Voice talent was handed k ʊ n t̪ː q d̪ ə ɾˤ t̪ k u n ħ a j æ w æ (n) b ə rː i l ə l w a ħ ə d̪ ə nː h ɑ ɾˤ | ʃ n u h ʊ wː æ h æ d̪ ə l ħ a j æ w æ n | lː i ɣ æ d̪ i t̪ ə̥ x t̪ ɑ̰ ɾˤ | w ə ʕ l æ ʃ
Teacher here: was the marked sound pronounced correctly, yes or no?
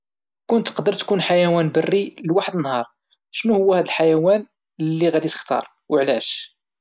yes